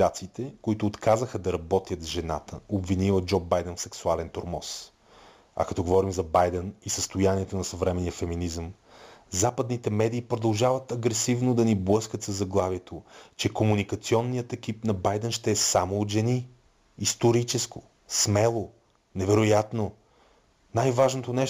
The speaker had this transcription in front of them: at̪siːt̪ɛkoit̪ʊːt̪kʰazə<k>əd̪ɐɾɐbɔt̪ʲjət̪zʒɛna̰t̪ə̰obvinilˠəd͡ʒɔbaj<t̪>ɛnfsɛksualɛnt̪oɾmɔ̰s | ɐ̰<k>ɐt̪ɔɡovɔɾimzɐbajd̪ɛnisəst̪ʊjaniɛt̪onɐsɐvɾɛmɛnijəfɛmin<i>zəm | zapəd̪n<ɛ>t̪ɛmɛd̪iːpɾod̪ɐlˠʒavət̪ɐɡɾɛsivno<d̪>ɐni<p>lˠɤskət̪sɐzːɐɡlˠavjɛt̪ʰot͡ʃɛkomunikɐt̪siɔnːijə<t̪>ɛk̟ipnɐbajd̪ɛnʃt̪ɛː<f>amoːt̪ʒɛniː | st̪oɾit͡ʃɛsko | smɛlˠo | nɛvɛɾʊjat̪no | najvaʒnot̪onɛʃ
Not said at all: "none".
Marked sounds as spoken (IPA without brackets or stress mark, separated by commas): x, d̪, k, i, i, d̪, b, t̪, s